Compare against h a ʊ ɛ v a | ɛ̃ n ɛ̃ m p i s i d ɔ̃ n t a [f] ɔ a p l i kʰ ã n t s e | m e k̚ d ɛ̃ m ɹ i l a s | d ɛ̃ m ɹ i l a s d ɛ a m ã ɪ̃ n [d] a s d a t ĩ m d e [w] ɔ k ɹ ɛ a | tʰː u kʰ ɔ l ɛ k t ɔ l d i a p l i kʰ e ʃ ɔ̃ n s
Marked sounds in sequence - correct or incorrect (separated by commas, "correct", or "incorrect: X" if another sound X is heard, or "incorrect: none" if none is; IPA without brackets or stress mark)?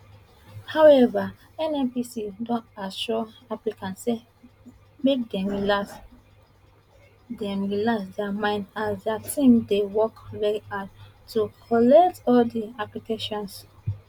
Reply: incorrect: ʃ, correct, correct